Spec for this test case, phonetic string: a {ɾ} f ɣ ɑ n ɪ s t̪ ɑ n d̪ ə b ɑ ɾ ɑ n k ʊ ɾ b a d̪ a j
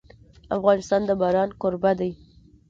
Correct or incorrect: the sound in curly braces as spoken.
incorrect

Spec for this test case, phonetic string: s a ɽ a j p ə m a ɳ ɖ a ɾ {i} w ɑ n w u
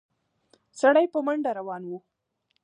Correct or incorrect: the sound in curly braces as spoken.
incorrect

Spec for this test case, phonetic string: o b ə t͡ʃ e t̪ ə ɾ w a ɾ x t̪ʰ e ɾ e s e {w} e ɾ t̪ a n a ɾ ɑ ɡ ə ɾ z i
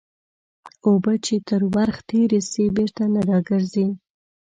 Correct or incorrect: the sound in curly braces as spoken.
incorrect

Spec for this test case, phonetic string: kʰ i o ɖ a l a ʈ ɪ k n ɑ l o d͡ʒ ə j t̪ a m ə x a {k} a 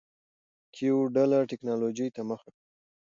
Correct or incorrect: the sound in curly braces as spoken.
correct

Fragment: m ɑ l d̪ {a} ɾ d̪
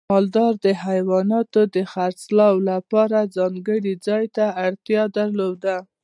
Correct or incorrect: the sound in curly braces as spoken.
incorrect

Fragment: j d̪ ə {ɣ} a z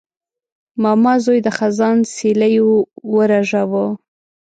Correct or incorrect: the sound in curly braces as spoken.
incorrect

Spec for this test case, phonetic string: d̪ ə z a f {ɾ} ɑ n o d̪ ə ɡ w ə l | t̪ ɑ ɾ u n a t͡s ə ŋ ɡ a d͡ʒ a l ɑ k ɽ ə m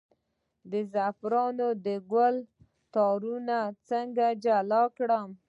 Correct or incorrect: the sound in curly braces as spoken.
correct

